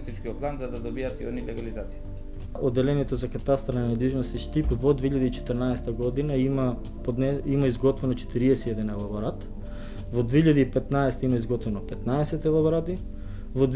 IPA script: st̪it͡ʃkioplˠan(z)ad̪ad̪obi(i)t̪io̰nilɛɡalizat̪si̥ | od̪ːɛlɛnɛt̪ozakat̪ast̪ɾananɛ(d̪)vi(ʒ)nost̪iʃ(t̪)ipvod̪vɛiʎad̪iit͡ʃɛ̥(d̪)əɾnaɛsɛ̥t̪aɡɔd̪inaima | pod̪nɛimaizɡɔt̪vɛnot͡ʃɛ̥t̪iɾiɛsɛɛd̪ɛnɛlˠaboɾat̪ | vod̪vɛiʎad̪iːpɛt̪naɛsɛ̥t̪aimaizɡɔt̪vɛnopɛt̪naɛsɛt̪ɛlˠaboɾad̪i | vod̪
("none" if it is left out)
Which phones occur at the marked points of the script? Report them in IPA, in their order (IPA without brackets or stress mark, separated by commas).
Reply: z, a, d̪, ʒ, t̪, t̪